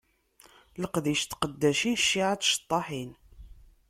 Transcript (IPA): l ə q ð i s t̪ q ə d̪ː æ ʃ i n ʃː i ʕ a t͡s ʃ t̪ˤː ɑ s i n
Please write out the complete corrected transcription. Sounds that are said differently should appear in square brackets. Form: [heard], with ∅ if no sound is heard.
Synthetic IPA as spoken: l ə q ð i [ʃ] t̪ q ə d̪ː æ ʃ i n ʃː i ʕ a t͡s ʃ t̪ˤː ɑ [ħ] i n

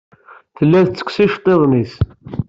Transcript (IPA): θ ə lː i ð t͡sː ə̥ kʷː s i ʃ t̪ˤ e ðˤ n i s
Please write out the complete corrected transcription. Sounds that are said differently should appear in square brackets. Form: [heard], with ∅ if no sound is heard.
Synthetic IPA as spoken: θ ə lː [æ] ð t͡sː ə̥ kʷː s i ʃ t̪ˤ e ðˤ n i s

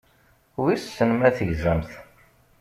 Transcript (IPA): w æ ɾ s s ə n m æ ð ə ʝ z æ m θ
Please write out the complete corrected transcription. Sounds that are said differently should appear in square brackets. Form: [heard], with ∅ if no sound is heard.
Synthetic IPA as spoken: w [i] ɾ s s ə n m æ [θ] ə ʝ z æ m θ

